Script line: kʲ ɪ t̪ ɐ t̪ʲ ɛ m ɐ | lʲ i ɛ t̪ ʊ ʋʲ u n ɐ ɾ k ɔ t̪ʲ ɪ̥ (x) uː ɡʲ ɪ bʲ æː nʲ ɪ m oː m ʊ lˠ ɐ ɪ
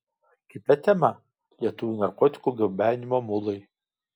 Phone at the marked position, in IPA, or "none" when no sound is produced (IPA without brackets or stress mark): k